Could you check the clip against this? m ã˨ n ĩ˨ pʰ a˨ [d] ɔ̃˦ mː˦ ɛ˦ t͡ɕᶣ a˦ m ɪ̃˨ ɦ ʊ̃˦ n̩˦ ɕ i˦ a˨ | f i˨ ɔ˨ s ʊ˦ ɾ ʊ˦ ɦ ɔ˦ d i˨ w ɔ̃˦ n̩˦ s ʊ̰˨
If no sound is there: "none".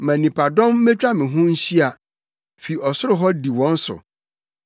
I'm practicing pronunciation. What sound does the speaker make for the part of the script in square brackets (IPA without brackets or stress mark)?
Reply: d